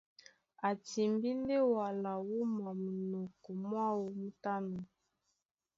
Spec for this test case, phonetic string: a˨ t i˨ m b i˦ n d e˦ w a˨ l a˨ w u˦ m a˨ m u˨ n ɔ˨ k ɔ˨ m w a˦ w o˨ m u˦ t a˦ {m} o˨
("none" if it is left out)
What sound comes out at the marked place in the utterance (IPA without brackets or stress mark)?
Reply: n